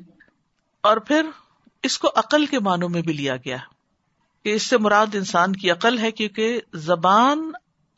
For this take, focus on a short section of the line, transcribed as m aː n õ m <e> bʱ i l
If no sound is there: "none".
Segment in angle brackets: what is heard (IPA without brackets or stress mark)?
ẽ